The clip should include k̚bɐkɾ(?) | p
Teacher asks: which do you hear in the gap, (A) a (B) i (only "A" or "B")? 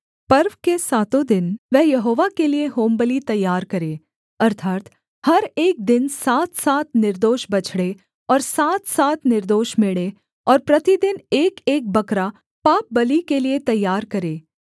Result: A